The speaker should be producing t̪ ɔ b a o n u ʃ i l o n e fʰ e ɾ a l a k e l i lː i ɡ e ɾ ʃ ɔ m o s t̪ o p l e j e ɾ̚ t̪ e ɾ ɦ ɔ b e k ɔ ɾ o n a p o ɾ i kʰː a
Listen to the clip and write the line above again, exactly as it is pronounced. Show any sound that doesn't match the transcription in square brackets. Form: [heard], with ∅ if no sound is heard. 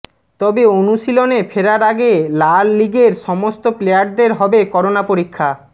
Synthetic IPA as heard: t̪ ɔ b [e] o n u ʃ i l o n e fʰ e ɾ a [ɾ] a [ɡ] e l [a] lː i ɡ e ɾ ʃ ɔ m o s t̪ o p l e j [a] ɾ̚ [d̪] e ɾ ɦ ɔ b e k ɔ ɾ o n a p o ɾ i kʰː a

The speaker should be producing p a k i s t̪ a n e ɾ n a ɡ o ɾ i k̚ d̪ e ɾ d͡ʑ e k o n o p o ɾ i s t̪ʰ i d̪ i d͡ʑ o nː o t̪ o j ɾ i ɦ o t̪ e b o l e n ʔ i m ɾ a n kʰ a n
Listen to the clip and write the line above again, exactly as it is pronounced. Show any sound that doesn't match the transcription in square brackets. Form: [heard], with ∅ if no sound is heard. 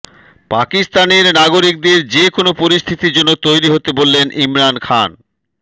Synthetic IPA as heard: p a k i s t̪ a n e ɾ n a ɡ o ɾ i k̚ d̪ e ɾ d͡ʑ e k o n o p o ɾ i s t̪ʰ i [t̪] i d͡ʑ o nː o t̪ o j ɾ i ɦ o t̪ e b o [lː] e n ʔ i m ɾ a n kʰ a n

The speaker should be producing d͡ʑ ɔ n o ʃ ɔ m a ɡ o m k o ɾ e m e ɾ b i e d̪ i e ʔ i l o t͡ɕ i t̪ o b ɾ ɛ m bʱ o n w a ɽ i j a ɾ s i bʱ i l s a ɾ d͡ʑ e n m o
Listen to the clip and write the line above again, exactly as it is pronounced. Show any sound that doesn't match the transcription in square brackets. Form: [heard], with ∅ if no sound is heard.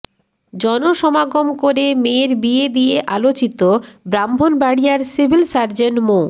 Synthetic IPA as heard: d͡ʑ ɔ n o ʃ ɔ m a ɡ o m k o ɾ e m e ɾ b i e d̪ i e ʔ [a] l o t͡ɕ i t̪ o b ɾ [a] m bʱ o n [b] a ɽ i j a ɾ s i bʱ i l s a ɾ d͡ʑ e n m o

